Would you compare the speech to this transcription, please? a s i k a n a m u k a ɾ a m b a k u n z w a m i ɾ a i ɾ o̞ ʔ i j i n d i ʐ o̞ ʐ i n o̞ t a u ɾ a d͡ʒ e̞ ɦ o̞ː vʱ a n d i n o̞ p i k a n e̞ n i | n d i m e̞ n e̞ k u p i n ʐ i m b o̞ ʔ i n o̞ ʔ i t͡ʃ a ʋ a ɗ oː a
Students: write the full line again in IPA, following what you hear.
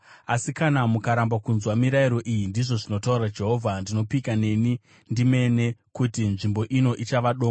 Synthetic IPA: a s i k a n a m u k a ɾ a m b a k u n z w a m i ɾ a i ɾ o̞ ʔ i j i n d i ʐ o̞ ʐ i n o̞ t a u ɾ a d͡ʒ e̞ ɦ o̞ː vʱ a n d i n o̞ p i k a n e̞ n i | n d i m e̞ n e̞ k u t i n ʐ i m b o̞ ʔ i n o̞ ʔ i t͡ʃ a ʋ a ɗ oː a